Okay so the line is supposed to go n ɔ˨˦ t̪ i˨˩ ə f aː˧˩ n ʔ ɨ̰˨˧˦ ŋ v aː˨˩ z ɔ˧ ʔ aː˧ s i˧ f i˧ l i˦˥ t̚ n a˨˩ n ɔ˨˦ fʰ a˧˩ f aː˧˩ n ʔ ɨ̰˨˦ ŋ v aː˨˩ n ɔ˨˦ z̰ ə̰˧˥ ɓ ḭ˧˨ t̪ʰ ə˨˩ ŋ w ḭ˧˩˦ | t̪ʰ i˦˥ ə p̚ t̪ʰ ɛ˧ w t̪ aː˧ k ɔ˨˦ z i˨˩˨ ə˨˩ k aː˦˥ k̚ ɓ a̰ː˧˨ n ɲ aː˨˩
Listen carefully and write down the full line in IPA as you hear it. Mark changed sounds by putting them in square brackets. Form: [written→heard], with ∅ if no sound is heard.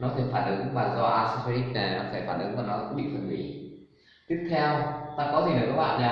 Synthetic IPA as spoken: n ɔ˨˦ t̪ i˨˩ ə f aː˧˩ n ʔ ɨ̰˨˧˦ ŋ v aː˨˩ z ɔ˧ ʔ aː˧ s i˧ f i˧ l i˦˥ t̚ n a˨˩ n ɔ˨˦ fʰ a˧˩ f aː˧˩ n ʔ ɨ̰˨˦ ŋ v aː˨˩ n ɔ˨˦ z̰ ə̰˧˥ ɓ ḭ˧˨ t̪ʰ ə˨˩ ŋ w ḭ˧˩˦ | [t̪ʰ→t̪] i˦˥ ə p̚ t̪ʰ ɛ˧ w t̪ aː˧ k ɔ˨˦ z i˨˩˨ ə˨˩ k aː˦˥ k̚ ɓ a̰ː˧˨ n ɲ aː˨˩